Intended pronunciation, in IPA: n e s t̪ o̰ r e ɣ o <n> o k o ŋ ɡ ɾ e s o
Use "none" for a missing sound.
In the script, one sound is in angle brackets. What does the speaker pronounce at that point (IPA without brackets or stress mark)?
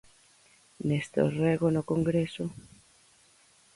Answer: n